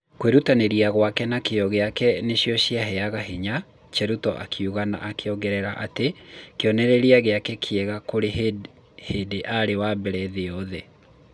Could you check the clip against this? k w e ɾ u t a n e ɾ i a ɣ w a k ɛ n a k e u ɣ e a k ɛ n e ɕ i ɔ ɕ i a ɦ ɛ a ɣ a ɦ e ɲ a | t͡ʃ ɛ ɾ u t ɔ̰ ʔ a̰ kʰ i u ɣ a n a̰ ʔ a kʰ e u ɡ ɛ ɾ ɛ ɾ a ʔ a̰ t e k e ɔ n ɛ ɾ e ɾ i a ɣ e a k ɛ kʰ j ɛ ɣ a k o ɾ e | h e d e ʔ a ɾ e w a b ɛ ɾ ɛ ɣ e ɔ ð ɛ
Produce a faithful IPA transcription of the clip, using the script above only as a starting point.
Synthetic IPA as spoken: k w e ɾ u t a n e ɾ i a ɣ w a k ɛ n a k e ɔ ɣ e a k ɛ n e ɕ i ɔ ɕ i a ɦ ɛ a ɣ a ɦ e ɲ a | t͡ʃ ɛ ɾ u t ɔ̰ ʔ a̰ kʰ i u ɣ a n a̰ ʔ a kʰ e ɔ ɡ ɛ ɾ ɛ ɾ a ʔ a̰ t e k e ɔ n ɛ ɾ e ɾ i a ɣ e a k ɛ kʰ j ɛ ɣ a k o ɾ e | h e d e ʔ a ɾ e w a b ɛ ɾ ɛ ð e ɔ ð ɛ

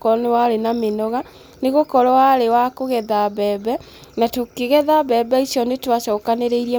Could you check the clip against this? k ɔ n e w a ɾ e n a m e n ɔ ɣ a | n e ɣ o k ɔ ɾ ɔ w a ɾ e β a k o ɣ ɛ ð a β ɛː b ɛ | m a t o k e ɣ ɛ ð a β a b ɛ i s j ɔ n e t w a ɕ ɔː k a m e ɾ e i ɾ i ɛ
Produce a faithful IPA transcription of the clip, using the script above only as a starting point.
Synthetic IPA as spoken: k ɔ n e w a ɾ e n a m e n ɔ ɣ a | n e ɣ o k ɔ ɾ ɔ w a ɾ e w a k o ɣ ɛ ð a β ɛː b ɛ | n a t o k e ɣ ɛ ð a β ɛ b ɛ i s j ɔ n e t w a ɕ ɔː k a n e ɾ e i ɾ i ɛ

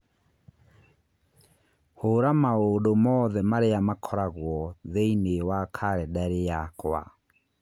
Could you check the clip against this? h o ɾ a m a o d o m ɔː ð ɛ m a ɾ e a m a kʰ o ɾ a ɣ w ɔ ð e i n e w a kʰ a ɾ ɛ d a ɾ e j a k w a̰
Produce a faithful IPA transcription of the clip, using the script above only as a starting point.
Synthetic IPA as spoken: h o ɾ a m a o d o m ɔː ð ɛ m a ɾ e a m a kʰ ɔ ɾ a ɣ w ɔ ð e i n e w a kʰ a ɾ ɛ d a ɾ e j a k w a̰

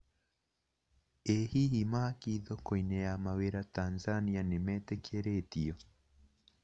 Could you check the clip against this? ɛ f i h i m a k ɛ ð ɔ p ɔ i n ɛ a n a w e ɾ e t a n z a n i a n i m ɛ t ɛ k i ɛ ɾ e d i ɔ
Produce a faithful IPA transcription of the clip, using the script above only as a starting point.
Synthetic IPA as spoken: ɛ h i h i m a k i ð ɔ k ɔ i n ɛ a m a w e ɾ a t a n z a n i a n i m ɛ t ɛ k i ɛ ɾ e t i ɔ

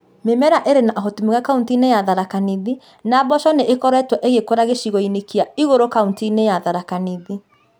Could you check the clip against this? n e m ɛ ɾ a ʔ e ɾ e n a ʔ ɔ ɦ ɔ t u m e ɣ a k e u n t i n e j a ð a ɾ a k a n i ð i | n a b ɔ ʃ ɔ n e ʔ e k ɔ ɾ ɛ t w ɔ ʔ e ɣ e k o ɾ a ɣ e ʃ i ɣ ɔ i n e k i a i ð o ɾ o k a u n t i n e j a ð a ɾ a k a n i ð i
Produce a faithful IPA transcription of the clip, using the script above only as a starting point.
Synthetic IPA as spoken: m e m ɛ ɾ a ʔ e ɾ e n a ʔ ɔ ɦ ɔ t u m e ɣ a k a u n t i n e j a ð a ɾ a k a n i ð i | n a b ɔ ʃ ɔ n e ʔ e k ɔ ɾ ɛ t w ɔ ʔ e ɣ e k o ɾ a ɣ e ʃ i ɣ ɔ i n e k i a i ɣ o ɾ o k a u n t i n e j a ð a ɾ a k a n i ð i

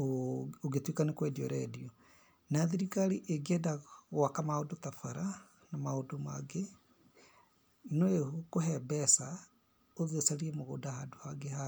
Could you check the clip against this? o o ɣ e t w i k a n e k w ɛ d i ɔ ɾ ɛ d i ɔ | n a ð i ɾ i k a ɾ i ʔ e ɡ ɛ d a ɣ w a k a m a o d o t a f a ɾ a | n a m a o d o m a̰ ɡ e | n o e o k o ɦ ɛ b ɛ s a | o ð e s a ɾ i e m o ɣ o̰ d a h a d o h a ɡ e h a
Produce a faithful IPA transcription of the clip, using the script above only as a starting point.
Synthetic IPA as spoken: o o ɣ e t w i k a n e k w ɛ d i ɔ ɾ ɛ d i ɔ | n a ð i ɾ i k a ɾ i ʔ e ɡ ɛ d a ɣ w a k a m a o d o t a f a ɾ a | n a m a o d o m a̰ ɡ e | n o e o k o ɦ ɛ b ɛ s a | o ð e s a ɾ i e m o ɣ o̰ d a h a d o h a ɡ e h a

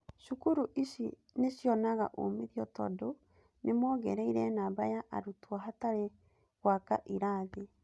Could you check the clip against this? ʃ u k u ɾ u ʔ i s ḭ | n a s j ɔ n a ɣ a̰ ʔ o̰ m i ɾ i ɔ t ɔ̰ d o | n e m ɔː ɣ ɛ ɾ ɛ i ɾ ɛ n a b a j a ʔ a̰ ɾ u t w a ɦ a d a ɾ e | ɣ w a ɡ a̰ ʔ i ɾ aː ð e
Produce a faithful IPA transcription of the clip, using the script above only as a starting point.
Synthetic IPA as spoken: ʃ u k u ɾ u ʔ i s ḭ | n e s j ɔ n a ɣ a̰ ʔ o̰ m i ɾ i ɔ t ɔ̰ d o | n e m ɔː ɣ ɛ ɾ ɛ i ɾ ɛ n a b a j a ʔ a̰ ɾ u t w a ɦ a t a ɾ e | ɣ w a k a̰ ʔ i ɾ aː ð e

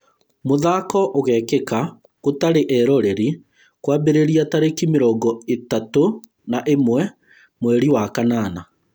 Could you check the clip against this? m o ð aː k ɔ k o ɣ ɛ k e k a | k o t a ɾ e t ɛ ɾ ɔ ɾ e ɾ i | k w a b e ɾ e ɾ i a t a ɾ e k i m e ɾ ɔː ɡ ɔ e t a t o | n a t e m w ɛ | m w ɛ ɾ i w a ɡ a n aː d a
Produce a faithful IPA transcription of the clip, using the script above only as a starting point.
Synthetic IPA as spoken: m o ð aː k ɔ ʔ o ɣ ɛ k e k a | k o t a ɾ e ʔ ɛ ɾ ɔ ɾ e ɾ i | k w a b e ɾ e ɾ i a t a ɾ e k i m e ɾ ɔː ɡ ɔ e t a t o | n a ʔ e m w ɛ | m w ɛ ɾ i w a k a n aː n a

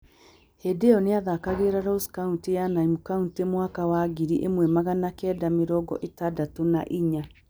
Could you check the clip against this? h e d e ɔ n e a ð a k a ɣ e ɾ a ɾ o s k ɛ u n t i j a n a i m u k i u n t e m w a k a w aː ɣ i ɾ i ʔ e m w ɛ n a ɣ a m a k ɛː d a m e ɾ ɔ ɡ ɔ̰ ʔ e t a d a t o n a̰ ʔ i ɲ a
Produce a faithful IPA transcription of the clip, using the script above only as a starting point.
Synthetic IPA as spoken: h e d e ɔ n e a ð a k a ɣ e ɾ a ɾ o s k a u n t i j a n a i m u k a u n t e m w a k a w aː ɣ i ɾ i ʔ e m w ɛ m a ɣ a n a k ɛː d a m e ɾ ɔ ɡ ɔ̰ ʔ e t a d a t o n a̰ ʔ i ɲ a

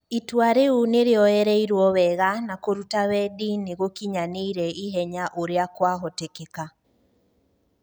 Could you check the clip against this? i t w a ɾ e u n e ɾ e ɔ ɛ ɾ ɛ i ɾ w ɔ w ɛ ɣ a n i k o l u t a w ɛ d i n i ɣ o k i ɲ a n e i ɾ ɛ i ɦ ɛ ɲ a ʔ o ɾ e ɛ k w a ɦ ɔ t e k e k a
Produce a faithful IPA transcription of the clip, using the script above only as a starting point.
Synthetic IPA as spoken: i t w a ɾ e u n e ɾ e ɔ ɛ ɾ ɛ i ɾ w ɔ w ɛ ɣ a n a k o ɾ u t a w ɛ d i n e ɣ o k i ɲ a n e i ɾ ɛ i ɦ ɛ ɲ a ʔ o ɾ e a k w a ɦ ɔ t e k e k a

